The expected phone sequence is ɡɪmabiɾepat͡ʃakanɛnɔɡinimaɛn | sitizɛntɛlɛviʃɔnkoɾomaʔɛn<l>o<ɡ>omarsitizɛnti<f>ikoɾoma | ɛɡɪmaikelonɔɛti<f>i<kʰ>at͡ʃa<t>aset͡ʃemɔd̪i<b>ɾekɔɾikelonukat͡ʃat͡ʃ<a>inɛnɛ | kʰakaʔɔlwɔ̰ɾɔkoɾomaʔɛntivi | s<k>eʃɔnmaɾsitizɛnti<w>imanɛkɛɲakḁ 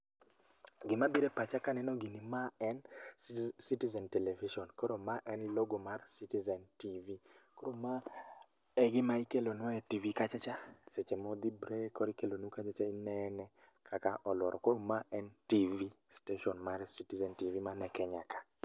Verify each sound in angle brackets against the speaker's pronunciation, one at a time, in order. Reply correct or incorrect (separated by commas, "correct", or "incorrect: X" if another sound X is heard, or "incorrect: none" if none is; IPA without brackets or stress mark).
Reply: correct, correct, incorrect: v, incorrect: v, incorrect: k, incorrect: t͡ʃ, correct, correct, incorrect: t, incorrect: v